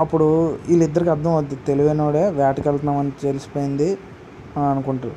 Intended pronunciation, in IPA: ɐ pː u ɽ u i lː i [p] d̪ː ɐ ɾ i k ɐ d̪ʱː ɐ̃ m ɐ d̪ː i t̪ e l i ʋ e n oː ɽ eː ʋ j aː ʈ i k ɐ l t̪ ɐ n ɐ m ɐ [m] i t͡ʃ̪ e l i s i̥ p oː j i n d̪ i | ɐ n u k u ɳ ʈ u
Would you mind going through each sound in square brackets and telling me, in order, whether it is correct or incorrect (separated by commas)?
incorrect, incorrect